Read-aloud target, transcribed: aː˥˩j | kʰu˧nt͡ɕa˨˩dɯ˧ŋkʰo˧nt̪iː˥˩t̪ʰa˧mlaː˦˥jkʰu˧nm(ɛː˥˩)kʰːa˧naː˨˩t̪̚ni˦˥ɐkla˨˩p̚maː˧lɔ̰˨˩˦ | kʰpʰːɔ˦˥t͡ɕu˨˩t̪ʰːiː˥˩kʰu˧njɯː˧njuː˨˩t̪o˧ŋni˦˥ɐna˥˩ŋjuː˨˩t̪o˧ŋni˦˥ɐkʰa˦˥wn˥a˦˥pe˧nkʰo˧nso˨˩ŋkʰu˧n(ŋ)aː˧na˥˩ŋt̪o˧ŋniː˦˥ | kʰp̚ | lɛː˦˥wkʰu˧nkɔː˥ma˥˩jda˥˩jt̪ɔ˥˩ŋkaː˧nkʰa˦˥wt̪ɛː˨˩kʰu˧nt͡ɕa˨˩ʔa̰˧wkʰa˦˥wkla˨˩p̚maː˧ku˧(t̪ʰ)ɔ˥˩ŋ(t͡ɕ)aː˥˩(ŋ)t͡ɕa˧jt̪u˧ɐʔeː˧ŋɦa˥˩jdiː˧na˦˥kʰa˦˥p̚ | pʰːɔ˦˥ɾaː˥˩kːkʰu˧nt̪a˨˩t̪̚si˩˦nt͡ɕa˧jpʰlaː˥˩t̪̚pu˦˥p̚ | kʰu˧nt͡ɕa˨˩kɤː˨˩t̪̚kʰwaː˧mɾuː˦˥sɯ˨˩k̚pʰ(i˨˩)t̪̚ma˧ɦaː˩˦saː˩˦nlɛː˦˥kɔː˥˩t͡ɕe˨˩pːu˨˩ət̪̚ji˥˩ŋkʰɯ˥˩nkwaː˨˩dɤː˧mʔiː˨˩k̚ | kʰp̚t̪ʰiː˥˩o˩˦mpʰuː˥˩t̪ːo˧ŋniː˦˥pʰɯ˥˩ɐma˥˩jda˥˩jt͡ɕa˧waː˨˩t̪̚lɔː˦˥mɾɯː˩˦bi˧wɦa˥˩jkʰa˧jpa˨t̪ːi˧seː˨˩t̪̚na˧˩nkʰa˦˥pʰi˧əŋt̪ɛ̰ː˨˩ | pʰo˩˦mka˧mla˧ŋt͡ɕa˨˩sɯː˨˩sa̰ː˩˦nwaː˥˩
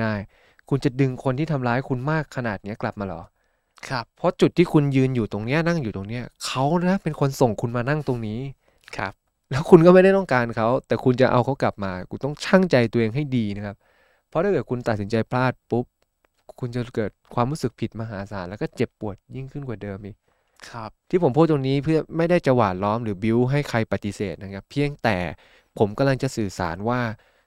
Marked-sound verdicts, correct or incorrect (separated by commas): incorrect, incorrect, incorrect, incorrect, correct, correct